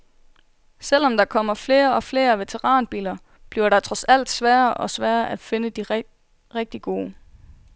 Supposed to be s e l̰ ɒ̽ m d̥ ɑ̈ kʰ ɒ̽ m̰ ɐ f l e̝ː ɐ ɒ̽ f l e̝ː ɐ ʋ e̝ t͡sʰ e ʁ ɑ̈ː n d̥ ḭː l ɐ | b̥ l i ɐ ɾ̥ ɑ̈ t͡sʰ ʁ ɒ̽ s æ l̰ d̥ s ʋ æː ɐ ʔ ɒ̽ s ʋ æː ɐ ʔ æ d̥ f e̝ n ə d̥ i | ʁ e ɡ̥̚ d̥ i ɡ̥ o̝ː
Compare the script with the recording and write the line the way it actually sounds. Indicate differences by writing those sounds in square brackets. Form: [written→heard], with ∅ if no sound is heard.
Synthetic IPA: s e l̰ ɒ̽ m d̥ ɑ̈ kʰ ɒ̽ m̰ ɐ f l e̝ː ɐ ɒ̽ f l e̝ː ɐ ʋ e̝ t͡sʰ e ʁ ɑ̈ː n [d̥→b̥] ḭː l ɐ | b̥ l i ɐ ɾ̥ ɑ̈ t͡sʰ ʁ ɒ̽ s æ l̰ d̥ s ʋ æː ɐ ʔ ɒ̽ s ʋ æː ɐ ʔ æ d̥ f e̝ n ə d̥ i | ʁ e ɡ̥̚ d̥ i ɡ̥ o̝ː